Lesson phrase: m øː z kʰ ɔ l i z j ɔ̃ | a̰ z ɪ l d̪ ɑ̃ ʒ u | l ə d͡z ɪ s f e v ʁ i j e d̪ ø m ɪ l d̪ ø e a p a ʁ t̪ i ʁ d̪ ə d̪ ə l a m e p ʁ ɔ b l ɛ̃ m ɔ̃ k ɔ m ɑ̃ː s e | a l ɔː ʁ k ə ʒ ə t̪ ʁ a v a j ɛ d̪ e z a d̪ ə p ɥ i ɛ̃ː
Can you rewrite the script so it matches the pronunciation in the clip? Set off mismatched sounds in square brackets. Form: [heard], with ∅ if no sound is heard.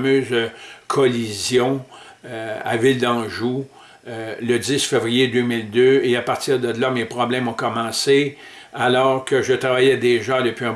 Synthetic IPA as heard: m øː z kʰ ɔ l i z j ɔ̃ | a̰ [v] ɪ l d̪ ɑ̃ ʒ u | l ə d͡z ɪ s f e v ʁ i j e d̪ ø m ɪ l d̪ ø e a p a ʁ t̪ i ʁ d̪ ə d̪ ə l a m e p ʁ ɔ b l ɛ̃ m ɔ̃ k ɔ m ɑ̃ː s e | a l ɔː ʁ k ə ʒ ə t̪ ʁ a v a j ɛ d̪ e [ʒ] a d̪ ə p ɥ i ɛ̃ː

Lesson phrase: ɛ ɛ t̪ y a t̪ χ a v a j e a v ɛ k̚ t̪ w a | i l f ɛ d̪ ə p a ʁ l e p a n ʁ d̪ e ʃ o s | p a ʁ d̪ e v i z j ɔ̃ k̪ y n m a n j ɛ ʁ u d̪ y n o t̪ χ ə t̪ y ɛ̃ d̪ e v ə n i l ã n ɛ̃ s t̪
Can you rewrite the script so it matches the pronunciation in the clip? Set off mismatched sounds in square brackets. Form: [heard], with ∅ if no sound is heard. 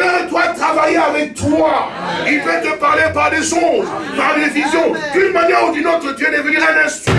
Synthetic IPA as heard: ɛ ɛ t̪ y a t̪ χ a v a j e a v ɛ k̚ t̪ w a | i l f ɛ [t̪] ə p a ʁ l e p a [∅] ʁ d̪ e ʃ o [z] | p a ʁ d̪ e v i z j ɔ̃ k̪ y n m a n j ɛ ʁ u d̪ y n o t̪ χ ə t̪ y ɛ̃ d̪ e v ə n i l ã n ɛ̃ s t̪

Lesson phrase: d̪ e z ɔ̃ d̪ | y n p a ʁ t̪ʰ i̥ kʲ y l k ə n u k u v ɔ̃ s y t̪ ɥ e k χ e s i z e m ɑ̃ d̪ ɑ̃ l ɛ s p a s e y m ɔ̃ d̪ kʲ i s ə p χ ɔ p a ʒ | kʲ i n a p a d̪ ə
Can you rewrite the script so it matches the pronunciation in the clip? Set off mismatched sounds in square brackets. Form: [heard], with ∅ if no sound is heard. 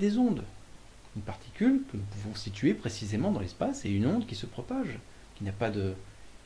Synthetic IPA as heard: d̪ e z ɔ̃ d̪ | y n p a ʁ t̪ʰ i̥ kʲ y l k ə n u [p] u v ɔ̃ s [i] t̪ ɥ e [p] χ e s i z e m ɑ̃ d̪ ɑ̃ l ɛ s p a s e y [n] ɔ̃ d̪ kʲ i s ə p χ ɔ p a ʒ | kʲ i n a p a d̪ ə

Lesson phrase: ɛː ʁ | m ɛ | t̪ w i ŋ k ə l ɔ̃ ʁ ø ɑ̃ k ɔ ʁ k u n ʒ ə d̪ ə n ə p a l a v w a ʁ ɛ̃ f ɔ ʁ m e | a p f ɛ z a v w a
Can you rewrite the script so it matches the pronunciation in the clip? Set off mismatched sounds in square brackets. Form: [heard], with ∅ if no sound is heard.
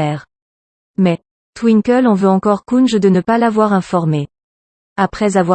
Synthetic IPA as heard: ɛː ʁ | m ɛ | t̪ w i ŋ k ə l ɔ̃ [v] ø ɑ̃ k ɔ ʁ k u n ʒ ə d̪ ə n ə p a l a v w a ʁ ɛ̃ f ɔ ʁ m e | a p [χ] ɛ z a v w a

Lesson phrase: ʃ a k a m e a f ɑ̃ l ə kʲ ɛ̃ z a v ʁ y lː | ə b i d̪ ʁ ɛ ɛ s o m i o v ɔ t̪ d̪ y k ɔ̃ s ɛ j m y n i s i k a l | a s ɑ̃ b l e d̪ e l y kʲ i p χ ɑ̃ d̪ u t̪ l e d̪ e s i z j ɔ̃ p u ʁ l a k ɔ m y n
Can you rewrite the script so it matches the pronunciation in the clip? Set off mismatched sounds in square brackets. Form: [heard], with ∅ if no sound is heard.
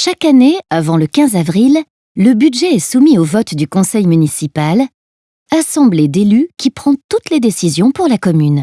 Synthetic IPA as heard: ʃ a k a [n] e a [v] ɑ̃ l ə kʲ ɛ̃ z a v ʁ [i] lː | ə b [y] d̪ [ʒ] ɛ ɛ s [u] m i o v ɔ t̪ d̪ y k ɔ̃ s ɛ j m y n i s i [p] a l | a s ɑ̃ b l e d̪ e l y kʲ i p χ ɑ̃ [t̪] u t̪ l e d̪ e s i z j ɔ̃ p u ʁ l a k ɔ m y n

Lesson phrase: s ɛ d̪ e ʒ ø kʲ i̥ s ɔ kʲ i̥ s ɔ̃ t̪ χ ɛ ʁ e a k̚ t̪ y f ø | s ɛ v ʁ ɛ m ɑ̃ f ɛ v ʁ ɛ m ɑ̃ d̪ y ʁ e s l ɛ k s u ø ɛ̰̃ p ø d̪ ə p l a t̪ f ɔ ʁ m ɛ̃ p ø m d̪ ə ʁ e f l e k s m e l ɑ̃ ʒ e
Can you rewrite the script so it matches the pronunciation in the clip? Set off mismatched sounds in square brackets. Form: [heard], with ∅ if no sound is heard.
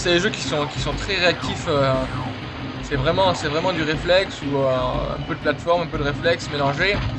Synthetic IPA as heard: s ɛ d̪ e ʒ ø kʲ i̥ s [ɔ̃] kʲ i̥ s ɔ̃ t̪ χ ɛ ʁ e a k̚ t̪ [i] f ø | s ɛ v ʁ ɛ m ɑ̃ [s] ɛ v ʁ ɛ m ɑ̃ d̪ y ʁ e [f] l ɛ k s u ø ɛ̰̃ p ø d̪ ə p l a t̪ f ɔ ʁ m ɛ̃ p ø [∅] d̪ ə ʁ e f l [ɛ] k s m e l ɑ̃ ʒ e

